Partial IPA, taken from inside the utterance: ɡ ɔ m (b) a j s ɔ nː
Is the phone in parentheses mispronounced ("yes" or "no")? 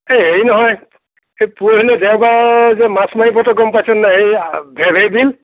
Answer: yes